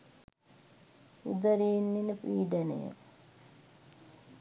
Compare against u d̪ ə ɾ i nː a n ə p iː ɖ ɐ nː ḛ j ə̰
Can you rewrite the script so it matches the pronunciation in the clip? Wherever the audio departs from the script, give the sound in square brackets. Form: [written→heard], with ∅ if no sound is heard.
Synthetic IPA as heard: u d̪ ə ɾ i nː [a→i] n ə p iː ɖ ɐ [nː→n] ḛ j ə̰